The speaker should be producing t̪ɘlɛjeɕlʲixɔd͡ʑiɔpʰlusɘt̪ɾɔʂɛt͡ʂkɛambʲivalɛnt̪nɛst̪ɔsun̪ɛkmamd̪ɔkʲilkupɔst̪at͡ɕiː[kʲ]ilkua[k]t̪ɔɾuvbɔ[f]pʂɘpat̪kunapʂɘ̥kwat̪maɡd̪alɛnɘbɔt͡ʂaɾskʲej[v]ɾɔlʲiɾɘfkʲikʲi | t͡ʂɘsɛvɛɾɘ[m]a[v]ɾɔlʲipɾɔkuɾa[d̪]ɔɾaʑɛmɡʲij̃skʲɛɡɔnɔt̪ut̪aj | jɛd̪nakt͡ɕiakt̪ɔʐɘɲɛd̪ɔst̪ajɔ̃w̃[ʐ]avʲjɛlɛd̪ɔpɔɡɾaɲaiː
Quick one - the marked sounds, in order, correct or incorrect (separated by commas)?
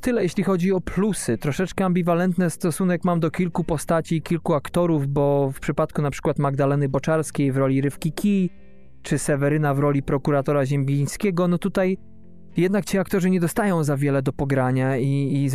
correct, correct, correct, correct, incorrect, correct, incorrect, incorrect